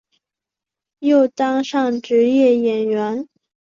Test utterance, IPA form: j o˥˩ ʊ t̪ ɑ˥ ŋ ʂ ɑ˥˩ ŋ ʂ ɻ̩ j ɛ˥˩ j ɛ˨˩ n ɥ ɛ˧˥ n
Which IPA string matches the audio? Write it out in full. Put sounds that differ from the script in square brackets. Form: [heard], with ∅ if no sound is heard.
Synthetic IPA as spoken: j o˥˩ ʊ t̪ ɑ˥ ŋ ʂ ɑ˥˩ ŋ [ʈ͡ʂ] ɻ̩ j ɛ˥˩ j ɛ˨˩ n ɥ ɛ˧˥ n